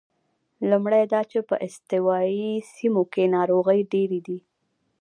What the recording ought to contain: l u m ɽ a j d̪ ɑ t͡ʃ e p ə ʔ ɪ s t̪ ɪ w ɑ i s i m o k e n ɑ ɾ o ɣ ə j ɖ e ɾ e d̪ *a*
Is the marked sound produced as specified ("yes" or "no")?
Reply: no